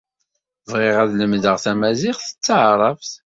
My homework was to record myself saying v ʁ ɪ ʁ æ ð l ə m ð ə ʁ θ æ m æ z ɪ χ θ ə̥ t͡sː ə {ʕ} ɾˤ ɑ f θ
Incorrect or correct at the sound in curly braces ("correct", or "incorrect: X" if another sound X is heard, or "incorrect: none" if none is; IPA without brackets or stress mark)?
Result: correct